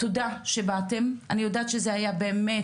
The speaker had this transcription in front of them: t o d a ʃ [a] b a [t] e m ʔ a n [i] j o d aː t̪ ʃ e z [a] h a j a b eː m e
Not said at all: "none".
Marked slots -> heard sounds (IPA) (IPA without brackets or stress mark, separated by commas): e, t, i, e